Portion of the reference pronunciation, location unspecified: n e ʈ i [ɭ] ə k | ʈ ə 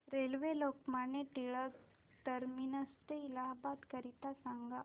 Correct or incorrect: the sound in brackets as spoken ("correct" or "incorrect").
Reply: correct